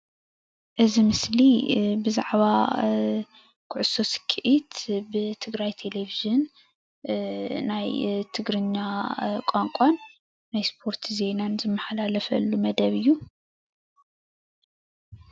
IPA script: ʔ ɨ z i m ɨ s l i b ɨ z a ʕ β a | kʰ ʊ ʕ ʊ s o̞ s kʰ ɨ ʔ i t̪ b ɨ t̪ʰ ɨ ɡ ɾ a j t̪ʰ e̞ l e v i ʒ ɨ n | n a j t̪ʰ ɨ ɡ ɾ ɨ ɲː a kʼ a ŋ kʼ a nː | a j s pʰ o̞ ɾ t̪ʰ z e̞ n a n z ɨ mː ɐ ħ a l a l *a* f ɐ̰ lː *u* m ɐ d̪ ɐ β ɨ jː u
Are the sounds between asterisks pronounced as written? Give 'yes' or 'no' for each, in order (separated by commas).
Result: no, yes